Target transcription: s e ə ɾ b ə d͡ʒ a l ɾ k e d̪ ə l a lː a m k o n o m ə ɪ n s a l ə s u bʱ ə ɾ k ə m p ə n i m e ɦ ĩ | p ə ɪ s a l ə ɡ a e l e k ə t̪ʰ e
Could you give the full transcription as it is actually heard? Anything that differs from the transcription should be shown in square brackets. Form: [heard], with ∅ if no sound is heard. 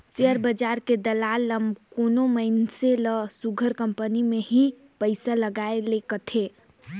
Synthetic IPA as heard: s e ə ɾ b ə d͡ʒ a [∅] ɾ k e d̪ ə l a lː [ə] m k o n o m ə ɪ n s [e] l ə s u [ɡʱ] ə ɾ k ə m p ə n i m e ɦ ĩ | p ə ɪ s a l ə ɡ a e l e k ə t̪ʰ e